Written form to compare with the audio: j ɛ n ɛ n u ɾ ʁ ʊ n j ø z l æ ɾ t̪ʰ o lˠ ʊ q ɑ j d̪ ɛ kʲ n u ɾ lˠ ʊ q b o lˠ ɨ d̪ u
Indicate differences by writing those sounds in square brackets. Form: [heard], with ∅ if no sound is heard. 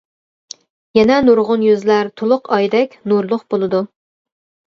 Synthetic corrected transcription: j ɛ n ɛ n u ɾ ʁ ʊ n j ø z l æ ɾ t̪ʰ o lˠ ʊ q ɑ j d̪ ɛ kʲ n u ɾ lˠ ʊ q b o lˠ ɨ d̪ u